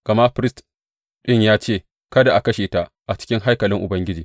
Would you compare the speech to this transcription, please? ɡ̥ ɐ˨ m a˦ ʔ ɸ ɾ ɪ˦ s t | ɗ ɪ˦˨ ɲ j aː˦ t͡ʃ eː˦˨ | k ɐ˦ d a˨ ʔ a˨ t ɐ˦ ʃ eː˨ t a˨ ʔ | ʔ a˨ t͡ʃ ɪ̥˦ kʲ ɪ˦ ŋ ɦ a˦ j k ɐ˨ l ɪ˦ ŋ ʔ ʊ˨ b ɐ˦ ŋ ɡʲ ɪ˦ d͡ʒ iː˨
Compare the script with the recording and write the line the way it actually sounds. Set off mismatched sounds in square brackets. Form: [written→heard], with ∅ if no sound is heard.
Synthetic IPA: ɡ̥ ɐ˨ m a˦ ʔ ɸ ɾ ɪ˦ s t | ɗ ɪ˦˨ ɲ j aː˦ t͡ʃ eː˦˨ | k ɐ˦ d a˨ ʔ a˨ [t→k] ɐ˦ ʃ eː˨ t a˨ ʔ | ʔ a˨ t͡ʃ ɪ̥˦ kʲ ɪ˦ ŋ ɦ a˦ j k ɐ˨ l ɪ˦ ŋ ʔ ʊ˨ b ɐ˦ ŋ ɡʲ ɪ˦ d͡ʒ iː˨

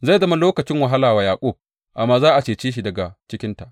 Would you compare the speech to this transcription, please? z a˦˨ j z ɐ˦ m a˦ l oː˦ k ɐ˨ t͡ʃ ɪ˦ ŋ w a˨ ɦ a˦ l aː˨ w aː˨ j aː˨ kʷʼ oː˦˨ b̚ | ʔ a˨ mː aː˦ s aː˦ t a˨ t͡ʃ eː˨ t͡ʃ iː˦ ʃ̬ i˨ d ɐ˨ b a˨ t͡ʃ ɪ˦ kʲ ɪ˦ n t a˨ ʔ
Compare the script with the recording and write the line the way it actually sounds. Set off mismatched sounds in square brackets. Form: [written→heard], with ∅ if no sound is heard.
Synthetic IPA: z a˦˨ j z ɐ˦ m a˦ l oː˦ k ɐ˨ t͡ʃ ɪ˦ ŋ w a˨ ɦ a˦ l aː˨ w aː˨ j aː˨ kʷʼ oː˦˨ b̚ | ʔ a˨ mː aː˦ [s→z] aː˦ [t→ʔ] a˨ t͡ʃ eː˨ t͡ʃ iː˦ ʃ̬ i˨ d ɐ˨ [b→ɡ] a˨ t͡ʃ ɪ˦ kʲ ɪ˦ n t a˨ ʔ

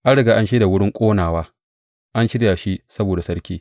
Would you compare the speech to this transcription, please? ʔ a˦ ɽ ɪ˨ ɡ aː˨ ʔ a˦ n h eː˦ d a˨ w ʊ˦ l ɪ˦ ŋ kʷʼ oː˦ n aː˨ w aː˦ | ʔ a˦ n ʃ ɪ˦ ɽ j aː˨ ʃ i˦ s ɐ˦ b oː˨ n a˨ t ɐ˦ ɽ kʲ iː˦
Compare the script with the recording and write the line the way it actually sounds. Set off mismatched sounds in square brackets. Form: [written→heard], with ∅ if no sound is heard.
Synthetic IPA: ʔ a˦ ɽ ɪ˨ ɡ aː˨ ʔ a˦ n [h→ʃ] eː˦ d a˨ w ʊ˦ [l→ɽ] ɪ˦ ŋ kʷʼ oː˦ n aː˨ w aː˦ | ʔ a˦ n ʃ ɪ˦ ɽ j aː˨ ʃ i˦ s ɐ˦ b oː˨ [n→d] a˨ [t→s] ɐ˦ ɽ kʲ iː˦

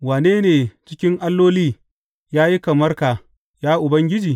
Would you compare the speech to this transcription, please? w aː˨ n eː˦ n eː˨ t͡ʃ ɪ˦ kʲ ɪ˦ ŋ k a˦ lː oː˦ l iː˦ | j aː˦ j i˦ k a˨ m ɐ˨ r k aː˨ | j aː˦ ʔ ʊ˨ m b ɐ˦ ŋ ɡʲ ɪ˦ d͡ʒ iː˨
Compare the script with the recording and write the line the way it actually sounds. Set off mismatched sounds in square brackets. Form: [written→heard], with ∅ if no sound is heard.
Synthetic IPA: w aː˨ n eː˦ n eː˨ t͡ʃ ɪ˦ kʲ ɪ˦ ŋ [k→ʔ] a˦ lː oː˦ l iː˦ | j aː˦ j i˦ k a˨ m [ɐ˨→ɐ˦] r k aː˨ | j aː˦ ʔ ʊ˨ [m→∅] b ɐ˦ ŋ ɡʲ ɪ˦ d͡ʒ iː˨

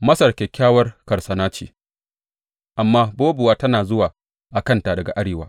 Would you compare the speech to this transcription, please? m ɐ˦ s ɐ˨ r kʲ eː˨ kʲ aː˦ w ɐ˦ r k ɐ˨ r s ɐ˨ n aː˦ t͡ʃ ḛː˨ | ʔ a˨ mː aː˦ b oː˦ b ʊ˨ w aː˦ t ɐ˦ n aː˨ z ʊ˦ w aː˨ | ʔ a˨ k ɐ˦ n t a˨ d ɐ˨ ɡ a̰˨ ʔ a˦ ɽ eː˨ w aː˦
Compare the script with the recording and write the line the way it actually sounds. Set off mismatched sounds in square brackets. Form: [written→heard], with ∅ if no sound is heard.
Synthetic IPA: m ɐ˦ s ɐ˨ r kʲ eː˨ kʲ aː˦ w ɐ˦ r k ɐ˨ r s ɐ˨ n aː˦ t͡ʃ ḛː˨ | ʔ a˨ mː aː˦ b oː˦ b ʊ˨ w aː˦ t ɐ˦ n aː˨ z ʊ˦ w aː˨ | ʔ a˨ k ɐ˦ n t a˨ d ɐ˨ ɡ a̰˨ ʔ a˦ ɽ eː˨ w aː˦

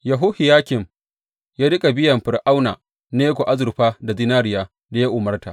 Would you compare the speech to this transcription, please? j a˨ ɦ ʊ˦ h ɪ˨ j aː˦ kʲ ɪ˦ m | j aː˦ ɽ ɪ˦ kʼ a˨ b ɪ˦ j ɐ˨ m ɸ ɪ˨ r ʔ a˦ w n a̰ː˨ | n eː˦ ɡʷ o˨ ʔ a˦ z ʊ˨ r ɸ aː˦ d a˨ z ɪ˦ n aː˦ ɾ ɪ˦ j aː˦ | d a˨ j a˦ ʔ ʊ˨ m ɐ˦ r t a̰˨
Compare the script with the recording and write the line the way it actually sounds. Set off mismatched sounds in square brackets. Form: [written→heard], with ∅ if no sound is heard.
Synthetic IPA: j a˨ ɦ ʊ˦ h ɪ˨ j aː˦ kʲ [ɪ˦→ɪ˨] m | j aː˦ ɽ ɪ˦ kʼ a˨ b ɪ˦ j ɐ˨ m ɸ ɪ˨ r ʔ a˦ w n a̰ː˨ | n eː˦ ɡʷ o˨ ʔ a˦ z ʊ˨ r ɸ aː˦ d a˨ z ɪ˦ n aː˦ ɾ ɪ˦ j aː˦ | d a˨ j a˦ ʔ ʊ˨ m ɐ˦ r t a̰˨

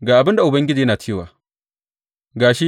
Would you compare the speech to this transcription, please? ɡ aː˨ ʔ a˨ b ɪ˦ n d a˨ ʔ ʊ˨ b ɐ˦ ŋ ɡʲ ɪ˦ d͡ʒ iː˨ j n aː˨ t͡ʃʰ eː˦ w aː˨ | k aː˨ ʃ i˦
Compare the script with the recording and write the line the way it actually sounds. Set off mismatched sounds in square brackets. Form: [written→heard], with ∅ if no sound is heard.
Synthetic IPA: ɡ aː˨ ʔ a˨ b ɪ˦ n d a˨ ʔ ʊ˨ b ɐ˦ ŋ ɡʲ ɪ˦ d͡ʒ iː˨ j n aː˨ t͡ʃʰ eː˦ w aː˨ | [k→ɡ] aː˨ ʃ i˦

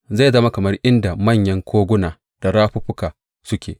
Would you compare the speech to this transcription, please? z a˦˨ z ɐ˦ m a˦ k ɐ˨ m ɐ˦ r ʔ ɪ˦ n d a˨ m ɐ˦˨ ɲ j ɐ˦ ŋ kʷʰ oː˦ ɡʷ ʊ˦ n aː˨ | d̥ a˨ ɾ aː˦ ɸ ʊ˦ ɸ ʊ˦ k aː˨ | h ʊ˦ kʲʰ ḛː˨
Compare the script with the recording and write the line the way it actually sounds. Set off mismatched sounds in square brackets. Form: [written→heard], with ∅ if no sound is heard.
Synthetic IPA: z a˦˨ z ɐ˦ m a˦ k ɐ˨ m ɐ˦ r ʔ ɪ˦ n d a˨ m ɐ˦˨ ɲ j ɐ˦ ŋ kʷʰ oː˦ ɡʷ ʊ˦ n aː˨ | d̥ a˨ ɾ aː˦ ɸ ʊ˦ ɸ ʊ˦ k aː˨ | [h→s] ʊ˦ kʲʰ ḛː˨

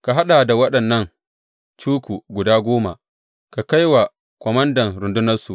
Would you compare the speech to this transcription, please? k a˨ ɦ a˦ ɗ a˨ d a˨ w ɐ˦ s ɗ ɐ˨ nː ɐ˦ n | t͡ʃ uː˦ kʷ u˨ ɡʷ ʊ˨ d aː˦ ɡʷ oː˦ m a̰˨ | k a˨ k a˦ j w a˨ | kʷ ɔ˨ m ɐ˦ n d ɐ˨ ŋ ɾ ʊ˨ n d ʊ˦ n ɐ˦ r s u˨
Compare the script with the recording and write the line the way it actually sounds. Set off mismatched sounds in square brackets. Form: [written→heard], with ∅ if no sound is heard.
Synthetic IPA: k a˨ ɦ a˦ ɗ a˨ d a˨ w ɐ˦ [s→∅] ɗ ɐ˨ nː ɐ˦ [n→ŋ] | t͡ʃ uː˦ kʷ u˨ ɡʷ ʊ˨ d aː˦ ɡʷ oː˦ m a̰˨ | k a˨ k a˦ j w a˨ | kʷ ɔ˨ m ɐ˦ n d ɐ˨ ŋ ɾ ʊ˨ n d ʊ˦ n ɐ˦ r s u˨

